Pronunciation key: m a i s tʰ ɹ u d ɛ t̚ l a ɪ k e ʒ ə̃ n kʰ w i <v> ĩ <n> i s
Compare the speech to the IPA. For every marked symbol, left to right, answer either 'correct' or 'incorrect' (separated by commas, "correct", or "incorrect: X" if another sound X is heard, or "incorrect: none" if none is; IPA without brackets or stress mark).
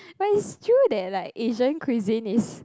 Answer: incorrect: z, correct